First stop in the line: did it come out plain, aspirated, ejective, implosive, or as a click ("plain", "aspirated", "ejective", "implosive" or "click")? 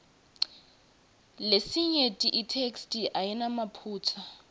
ejective